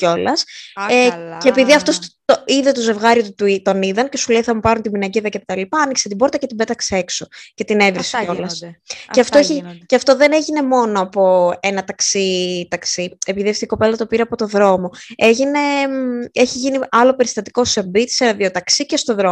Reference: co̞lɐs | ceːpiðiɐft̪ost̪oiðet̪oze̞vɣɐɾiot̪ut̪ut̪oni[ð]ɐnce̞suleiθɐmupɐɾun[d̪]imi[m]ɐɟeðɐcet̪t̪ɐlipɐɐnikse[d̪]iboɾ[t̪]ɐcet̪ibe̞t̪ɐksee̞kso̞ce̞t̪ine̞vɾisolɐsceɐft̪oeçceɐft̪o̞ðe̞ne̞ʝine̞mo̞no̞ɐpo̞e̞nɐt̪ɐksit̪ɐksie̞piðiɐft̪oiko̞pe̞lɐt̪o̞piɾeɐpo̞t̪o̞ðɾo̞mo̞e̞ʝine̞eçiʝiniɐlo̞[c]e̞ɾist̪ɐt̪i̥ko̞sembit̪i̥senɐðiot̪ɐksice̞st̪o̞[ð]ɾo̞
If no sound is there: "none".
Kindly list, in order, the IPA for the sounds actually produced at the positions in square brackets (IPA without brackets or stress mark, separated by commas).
ð, t̪, n, t̪, t̪, p, ð